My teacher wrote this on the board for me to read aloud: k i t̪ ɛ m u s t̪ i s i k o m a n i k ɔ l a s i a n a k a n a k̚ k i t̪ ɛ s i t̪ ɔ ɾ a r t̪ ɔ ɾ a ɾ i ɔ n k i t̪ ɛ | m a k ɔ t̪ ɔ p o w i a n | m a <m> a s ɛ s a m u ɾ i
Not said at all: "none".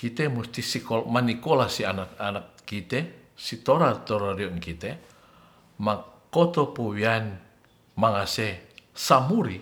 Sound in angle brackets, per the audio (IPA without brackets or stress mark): ŋ